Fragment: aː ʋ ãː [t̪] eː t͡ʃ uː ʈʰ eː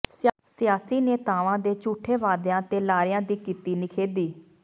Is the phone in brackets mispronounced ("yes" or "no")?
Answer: yes